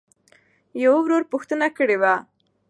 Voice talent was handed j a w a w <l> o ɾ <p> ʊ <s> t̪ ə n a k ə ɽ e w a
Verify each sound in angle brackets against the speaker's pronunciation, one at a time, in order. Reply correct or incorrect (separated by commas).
incorrect, correct, incorrect